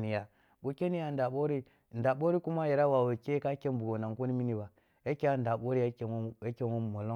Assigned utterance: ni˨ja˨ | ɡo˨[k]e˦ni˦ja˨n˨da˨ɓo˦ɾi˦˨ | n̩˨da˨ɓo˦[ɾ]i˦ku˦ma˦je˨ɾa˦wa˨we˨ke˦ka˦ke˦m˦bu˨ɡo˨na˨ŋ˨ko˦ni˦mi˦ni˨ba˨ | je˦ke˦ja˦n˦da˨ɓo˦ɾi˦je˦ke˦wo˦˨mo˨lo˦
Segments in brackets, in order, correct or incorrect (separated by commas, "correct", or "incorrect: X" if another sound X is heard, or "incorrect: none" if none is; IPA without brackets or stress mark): correct, correct